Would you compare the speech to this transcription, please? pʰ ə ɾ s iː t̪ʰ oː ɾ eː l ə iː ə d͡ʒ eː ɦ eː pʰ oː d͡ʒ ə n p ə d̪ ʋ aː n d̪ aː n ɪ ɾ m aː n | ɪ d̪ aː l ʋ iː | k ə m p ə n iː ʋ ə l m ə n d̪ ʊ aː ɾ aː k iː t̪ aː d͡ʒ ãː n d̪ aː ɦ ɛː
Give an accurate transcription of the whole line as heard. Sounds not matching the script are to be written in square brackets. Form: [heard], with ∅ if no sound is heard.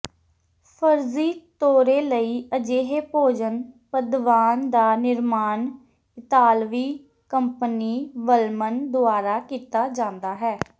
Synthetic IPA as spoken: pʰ ə ɾ [z] iː [t̪] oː ɾ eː l ə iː ə d͡ʒ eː ɦ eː [p] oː d͡ʒ ə n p ə d̪ ʋ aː n d̪ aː n ɪ ɾ m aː n | ɪ [t̪] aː l ʋ iː | k ə m p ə n iː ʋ ə l m ə n d̪ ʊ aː ɾ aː k iː t̪ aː d͡ʒ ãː n d̪ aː ɦ ɛː